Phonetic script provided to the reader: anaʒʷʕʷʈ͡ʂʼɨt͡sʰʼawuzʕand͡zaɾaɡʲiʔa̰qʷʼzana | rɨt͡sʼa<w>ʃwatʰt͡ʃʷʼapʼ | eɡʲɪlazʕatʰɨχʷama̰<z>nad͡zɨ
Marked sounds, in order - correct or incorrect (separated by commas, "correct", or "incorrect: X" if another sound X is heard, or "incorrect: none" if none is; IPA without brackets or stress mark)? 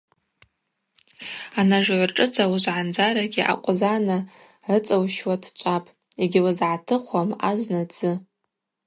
correct, correct